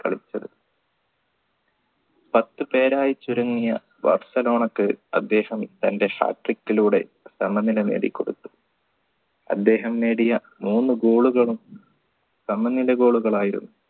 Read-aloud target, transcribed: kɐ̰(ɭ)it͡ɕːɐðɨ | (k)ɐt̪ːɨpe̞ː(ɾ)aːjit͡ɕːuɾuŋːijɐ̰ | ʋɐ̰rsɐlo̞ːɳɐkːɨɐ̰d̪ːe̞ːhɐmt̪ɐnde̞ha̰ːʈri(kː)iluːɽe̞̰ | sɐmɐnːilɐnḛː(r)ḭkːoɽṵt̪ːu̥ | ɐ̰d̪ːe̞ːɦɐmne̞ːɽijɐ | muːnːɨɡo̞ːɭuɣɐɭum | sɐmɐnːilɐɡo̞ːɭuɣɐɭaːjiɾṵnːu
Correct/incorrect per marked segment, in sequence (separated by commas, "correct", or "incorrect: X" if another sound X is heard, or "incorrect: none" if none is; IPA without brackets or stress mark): correct, incorrect: p, correct, correct, incorrect: ɽ